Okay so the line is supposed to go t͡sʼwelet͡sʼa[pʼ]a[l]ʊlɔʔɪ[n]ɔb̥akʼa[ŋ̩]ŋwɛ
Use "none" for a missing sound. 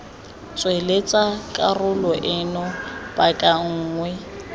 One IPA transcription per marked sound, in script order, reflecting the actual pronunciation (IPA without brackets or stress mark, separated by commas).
kʼ, r, n, ŋ̩ː